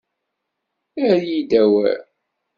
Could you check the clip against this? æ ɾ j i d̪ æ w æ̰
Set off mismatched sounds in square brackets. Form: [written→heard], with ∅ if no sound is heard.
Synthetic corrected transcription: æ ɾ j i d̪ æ w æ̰